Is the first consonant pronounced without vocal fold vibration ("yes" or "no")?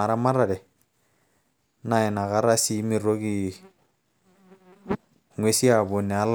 no